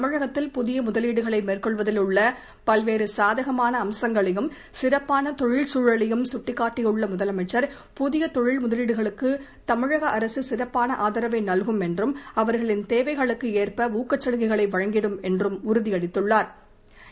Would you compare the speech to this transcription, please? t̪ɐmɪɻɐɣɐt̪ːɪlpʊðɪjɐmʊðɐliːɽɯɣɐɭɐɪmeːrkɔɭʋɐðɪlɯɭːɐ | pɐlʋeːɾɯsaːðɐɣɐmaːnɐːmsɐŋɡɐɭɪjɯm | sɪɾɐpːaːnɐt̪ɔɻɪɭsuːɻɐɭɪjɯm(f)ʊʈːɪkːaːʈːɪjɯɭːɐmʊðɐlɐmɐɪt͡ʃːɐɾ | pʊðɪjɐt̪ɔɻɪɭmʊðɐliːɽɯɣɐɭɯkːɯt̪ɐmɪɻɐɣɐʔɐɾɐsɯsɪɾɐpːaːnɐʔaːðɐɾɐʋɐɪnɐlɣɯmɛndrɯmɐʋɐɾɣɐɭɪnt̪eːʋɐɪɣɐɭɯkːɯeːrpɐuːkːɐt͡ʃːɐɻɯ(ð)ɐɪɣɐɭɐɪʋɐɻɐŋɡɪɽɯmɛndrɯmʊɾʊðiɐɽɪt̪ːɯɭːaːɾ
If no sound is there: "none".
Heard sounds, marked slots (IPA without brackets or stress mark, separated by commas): s, ɣ